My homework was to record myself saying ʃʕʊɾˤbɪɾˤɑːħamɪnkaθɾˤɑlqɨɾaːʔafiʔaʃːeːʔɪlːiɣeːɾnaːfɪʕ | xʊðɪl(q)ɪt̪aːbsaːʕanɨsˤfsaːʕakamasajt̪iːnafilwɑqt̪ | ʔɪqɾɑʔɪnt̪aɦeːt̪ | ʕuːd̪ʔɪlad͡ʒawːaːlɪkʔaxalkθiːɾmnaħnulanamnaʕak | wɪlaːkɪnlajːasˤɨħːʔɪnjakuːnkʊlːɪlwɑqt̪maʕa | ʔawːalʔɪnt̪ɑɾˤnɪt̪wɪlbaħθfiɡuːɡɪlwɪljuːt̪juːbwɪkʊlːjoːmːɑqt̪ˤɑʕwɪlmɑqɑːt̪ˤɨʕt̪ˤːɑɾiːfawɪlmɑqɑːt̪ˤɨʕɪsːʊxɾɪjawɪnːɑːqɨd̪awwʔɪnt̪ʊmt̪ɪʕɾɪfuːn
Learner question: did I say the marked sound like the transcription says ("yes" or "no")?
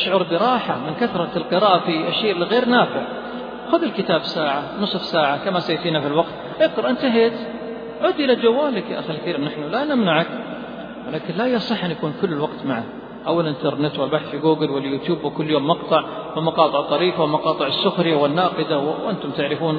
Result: no